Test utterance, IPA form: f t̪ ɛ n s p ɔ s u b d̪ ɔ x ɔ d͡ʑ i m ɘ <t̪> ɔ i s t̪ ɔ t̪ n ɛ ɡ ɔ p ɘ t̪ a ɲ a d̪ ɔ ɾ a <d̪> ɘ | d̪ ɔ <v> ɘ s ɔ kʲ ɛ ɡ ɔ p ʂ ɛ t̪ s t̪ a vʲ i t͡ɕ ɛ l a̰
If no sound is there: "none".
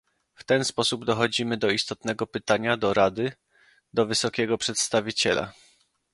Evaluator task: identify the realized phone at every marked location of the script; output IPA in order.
d̪, d̪, v

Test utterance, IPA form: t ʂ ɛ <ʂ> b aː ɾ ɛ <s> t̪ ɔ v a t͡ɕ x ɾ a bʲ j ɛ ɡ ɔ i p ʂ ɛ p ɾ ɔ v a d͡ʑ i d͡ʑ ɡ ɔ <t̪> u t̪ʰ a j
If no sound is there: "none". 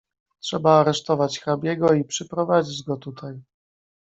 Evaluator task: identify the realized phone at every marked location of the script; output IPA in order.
none, ʂ, t̪

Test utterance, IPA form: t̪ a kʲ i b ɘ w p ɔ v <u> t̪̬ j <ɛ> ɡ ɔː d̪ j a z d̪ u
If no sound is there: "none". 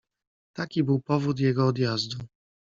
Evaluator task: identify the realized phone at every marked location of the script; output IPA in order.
u, ɛ

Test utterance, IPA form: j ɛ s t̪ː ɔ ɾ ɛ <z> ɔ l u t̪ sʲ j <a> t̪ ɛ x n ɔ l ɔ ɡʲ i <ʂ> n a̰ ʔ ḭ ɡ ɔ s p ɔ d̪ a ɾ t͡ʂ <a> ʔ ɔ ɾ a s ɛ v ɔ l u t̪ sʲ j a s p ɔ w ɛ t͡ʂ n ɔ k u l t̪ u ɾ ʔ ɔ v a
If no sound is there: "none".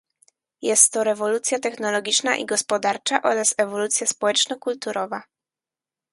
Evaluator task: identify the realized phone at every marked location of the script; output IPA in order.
v, a, t͡ʂ, a

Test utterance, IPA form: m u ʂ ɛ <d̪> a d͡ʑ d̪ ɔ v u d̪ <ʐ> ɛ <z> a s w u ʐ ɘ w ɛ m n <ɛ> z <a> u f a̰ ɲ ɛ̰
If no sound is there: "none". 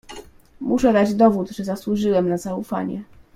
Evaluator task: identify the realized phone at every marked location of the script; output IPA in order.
d̪, ʐ, z, a, a

